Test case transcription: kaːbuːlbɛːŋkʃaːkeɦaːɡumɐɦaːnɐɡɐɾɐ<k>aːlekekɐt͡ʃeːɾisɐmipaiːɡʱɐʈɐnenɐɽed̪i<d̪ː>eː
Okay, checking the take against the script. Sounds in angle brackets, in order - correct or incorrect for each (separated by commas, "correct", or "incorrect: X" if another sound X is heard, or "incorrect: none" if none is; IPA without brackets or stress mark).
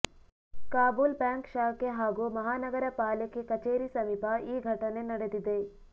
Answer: incorrect: p, incorrect: d̪